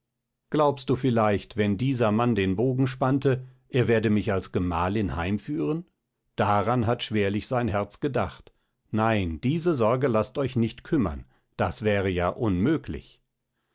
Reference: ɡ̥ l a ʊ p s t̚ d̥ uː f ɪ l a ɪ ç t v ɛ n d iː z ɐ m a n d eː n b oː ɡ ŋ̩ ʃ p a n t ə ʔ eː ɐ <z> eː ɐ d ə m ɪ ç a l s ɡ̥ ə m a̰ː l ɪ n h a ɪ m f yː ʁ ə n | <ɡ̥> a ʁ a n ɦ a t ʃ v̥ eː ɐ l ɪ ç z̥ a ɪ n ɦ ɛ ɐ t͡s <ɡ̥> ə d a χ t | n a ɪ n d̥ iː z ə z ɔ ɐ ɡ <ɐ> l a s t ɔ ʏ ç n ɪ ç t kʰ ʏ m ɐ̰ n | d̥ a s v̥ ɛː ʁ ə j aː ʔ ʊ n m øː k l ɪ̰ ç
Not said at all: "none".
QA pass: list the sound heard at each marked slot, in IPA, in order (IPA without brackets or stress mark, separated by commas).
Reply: v, d̥, ɡ̥, ə